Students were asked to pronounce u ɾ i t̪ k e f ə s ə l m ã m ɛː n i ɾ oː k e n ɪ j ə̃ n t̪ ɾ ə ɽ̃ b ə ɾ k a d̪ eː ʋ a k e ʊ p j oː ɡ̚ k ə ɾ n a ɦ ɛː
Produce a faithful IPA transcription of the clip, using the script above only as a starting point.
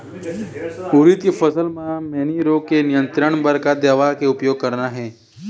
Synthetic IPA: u ɾ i t̪ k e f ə s ə l m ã m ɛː n i ɾ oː k e n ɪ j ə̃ n t̪ ɾ ə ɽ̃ b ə ɾ k a d̪ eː ʋ a k e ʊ p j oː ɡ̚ k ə ɾ n a ɦ ɛː

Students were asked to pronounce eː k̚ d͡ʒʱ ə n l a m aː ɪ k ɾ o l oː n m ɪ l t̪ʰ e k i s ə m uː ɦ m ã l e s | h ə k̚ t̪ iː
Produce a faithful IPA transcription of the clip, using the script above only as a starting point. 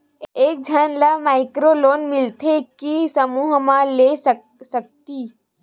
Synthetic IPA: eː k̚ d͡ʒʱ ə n l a m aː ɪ k ɾ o l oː n m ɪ l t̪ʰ e k i s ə m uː ɦ m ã l e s | s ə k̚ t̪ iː

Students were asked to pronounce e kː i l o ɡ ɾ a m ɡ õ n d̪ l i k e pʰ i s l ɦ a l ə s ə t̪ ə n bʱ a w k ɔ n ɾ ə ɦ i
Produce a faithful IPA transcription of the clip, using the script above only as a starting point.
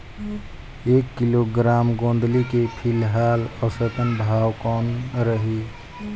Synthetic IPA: e kː i l o ɡ ɾ a m ɡ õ n d̪ l i k e pʰ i l ɦ a l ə s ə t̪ ə n bʱ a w k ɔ n ɾ ə ɦ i

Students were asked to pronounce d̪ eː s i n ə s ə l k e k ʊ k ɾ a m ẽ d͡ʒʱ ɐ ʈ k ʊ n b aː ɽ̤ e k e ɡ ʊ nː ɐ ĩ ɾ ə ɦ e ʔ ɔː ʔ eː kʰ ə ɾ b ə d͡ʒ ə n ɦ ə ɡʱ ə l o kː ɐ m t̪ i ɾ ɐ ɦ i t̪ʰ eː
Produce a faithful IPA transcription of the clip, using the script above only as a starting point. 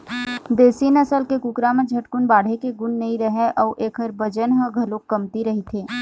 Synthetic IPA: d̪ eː s i n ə s ə l k e k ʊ k ɾ a m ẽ d͡ʒʱ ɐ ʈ k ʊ n b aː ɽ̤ e k e ɡ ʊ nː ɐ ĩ ɾ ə ɦ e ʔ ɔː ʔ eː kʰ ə ɾ b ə d͡ʒ ə n ɦ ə ɡʱ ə l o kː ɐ m t̪ i ɾ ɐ ɦ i t̪ʰ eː

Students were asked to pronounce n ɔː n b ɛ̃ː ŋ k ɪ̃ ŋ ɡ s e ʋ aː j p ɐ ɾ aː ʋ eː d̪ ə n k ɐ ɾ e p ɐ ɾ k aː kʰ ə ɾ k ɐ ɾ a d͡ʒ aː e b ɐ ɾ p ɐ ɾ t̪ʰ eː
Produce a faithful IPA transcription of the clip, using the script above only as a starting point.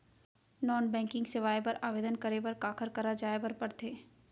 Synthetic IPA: n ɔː n b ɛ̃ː ŋ k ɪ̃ ŋ ɡ s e ʋ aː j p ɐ ɾ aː ʋ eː d̪ ə n k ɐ ɾ e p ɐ ɾ k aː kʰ ə ɾ k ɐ ɾ a d͡ʒ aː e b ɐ ɾ p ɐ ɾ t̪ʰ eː

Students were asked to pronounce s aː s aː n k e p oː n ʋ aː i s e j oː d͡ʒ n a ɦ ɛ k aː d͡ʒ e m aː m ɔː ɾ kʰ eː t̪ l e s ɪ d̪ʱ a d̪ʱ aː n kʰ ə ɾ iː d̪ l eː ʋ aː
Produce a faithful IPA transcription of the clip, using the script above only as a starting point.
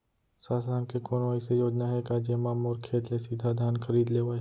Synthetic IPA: s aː s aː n k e k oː n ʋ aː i s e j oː d͡ʒ n a ɦ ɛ k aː d͡ʒ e m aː m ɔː ɾ kʰ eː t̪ l e s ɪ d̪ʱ a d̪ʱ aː n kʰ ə ɾ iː d̪ l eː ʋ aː

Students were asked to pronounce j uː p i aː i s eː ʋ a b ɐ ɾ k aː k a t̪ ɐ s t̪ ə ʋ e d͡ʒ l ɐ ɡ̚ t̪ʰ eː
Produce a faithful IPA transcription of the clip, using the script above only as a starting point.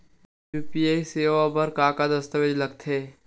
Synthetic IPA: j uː p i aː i s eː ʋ a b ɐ ɾ k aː k a d̪ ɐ s t̪ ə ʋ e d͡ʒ l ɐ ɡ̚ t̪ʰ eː

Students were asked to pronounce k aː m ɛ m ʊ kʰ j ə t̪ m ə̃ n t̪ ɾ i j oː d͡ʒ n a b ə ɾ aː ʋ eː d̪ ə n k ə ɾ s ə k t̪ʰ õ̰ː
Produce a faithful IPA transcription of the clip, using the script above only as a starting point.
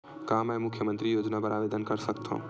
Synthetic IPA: k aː m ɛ m ʊ kʰ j ə m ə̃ n t̪ ɾ i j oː d͡ʒ n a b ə ɾ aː ʋ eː d̪ ə n k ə ɾ s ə k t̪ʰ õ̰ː

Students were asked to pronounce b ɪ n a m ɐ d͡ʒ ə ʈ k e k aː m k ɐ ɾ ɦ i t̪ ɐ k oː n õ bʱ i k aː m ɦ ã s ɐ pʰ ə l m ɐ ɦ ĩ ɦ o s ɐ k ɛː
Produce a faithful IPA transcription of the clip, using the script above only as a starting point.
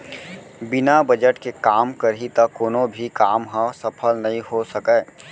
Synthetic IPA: b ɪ n a b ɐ d͡ʒ ə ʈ k e k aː m k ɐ ɾ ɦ i t̪ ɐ k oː n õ bʱ i k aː m ɦ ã s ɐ pʰ ə l n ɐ ɦ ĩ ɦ o s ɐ k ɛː

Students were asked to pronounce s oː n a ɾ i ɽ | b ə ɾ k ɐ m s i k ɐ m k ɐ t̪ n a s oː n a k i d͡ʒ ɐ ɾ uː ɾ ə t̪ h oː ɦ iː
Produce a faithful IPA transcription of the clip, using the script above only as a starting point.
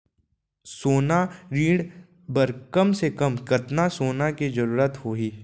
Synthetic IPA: s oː n a ɾ iː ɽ | b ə ɾ k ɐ m s e k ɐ m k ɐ t̪ n a s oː n a k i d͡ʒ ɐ ɾ uː ɾ ə t̪ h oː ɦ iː

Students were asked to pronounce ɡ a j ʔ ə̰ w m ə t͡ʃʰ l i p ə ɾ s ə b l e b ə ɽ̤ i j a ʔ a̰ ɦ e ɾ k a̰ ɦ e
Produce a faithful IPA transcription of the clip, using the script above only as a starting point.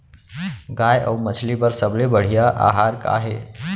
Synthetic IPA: ɡ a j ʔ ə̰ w m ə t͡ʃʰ l i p ə ɾ s ə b l e b ə ɽ̤ i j a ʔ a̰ ɦ a ɾ k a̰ ɦ e

